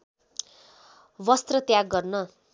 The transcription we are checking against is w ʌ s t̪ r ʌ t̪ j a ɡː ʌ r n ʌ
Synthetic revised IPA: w ʌ s t̪ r ʌ t̪ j a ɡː ʌ r n ʌ